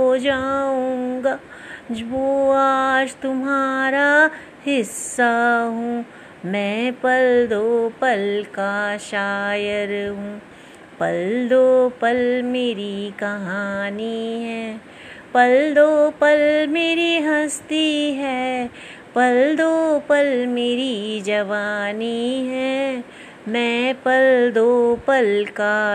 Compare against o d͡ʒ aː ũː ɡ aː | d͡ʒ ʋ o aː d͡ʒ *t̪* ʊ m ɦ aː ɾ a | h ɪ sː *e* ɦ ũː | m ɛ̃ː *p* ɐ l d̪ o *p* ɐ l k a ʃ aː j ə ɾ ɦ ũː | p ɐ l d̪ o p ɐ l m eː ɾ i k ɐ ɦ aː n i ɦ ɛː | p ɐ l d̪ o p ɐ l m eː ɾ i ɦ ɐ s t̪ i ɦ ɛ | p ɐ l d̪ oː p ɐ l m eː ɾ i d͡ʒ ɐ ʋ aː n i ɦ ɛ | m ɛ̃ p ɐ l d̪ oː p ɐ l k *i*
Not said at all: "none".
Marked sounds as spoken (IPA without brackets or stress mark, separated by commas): t̪, a, p, p, a